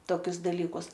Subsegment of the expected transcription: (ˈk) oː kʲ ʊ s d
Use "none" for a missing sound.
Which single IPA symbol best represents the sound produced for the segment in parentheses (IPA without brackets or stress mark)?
t